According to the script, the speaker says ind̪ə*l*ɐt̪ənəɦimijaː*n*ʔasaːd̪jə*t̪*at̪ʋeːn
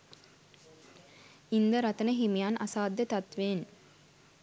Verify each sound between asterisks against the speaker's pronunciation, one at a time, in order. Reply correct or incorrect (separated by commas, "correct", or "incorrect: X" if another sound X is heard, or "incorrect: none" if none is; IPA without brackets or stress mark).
incorrect: ɾ, correct, correct